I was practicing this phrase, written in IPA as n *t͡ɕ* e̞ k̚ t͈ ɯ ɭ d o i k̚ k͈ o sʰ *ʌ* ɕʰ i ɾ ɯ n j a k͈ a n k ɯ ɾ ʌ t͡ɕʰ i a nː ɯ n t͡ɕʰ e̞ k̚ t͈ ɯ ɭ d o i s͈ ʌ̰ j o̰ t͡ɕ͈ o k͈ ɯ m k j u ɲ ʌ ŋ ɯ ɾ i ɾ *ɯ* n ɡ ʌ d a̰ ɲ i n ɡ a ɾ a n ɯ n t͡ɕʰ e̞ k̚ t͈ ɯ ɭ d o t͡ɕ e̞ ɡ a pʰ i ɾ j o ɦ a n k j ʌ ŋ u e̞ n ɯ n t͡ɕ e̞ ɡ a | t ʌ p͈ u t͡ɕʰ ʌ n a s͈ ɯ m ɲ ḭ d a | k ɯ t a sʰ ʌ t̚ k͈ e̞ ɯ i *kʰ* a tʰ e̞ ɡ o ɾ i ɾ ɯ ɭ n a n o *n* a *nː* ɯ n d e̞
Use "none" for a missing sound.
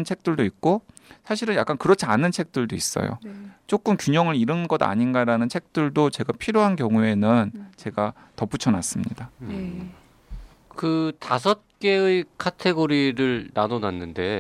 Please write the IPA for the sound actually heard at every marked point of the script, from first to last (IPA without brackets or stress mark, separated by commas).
t͡ɕʰ, a, ɯ, kʰ, n, nː